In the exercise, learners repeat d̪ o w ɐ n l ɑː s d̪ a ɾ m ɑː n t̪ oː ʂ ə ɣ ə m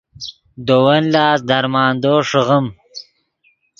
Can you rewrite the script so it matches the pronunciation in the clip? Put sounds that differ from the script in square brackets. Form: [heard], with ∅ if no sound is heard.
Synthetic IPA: d̪ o w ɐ n l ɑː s d̪ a ɾ m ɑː n [d̪] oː ʂ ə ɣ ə m